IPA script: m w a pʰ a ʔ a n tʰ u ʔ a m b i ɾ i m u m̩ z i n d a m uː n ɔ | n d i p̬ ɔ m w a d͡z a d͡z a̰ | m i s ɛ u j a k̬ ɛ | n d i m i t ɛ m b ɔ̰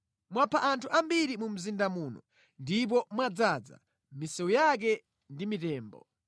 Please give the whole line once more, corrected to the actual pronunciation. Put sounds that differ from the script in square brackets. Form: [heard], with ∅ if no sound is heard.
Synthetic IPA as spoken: m w a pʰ a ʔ a n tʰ u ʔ a m b i ɾ i m u m̩ z i n d a m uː n ɔ | n d i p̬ ɔ m w a d͡z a d͡z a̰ | m i s ɛ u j a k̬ ɛ | n d i m i t [ɛː] m b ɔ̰